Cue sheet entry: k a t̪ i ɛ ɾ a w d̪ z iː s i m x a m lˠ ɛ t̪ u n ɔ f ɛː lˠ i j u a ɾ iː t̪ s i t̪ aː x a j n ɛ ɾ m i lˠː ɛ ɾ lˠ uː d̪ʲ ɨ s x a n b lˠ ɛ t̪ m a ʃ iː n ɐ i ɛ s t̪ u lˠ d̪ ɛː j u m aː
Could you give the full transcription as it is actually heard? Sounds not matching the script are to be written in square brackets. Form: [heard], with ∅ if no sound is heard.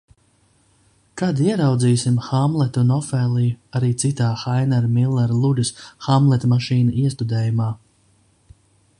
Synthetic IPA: k a [d̪] i ɛ ɾ a w d̪ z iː s i m x a m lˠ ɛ t̪ u n ɔ f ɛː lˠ i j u a ɾ iː t̪ s i t̪ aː x a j n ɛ ɾ m i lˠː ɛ ɾ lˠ [u] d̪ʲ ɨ s x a [m] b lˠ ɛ t̪ m a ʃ iː n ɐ i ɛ s t̪ u [∅] d̪ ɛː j u m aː